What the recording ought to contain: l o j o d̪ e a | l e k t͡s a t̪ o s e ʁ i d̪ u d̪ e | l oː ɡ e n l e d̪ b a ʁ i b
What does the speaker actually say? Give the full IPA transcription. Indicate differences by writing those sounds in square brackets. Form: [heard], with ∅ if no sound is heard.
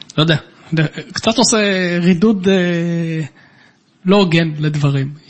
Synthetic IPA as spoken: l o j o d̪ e a | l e k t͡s a t̪ o s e ʁ i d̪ u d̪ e | l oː ɡ e n l e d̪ [v] a ʁ i [m]